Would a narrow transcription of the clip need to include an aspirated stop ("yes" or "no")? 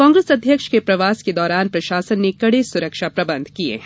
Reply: no